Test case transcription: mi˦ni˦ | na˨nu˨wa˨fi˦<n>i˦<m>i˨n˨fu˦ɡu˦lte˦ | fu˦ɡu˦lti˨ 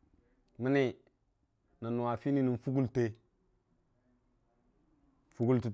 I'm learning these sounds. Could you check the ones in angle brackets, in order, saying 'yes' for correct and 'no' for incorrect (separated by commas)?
yes, no